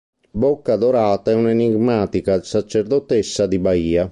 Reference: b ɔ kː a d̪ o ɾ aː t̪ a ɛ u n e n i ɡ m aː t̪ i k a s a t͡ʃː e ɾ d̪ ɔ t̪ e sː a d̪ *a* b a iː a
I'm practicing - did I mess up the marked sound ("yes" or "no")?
yes